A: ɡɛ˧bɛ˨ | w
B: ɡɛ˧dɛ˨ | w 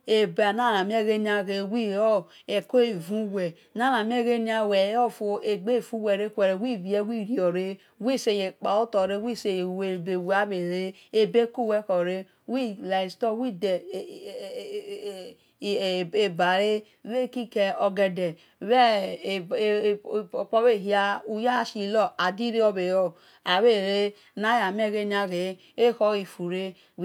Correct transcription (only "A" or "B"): B